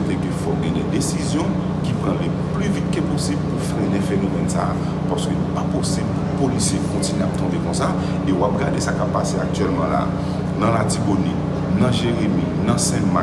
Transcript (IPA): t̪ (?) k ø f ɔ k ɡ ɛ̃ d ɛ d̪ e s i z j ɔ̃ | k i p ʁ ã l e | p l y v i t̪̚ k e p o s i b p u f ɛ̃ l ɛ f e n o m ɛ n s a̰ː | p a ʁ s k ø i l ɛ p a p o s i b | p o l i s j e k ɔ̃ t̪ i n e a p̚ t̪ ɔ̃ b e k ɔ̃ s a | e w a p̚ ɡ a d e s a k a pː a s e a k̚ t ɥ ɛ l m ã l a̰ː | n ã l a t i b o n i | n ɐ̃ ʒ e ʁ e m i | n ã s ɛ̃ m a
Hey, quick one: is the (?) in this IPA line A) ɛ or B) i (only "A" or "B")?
A